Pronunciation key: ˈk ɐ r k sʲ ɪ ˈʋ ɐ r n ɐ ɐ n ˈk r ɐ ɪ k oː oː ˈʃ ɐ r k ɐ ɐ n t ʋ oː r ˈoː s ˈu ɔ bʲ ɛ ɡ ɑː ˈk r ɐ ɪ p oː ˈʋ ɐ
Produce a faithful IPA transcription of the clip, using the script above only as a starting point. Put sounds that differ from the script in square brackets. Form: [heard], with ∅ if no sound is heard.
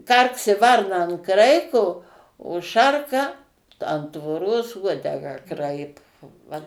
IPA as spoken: ˈk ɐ r k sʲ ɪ ˈʋ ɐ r n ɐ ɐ n ˈk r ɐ ɪ k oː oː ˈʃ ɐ r k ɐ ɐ n t ʋ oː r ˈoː s ˈu ɔ [dʲ] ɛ ɡ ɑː ˈk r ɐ ɪ p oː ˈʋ ɐ